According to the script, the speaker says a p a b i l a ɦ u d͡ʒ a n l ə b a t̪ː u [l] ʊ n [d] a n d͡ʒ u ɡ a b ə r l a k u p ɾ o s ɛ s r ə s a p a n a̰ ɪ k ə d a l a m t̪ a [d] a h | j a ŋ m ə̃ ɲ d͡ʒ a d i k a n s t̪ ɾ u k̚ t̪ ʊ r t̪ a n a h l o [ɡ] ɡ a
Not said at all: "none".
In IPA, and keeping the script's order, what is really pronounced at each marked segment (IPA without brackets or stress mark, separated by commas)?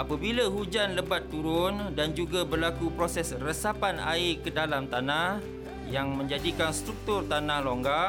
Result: ɾ, d, n, ŋ